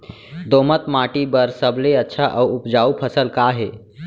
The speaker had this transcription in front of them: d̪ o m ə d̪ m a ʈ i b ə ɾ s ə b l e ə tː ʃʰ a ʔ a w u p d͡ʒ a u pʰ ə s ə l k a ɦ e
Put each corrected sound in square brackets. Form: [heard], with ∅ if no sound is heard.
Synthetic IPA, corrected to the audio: d̪ o m ə [t̪] m a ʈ i b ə ɾ s ə b l e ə tː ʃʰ a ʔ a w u p d͡ʒ a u pʰ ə s ə l k a ɦ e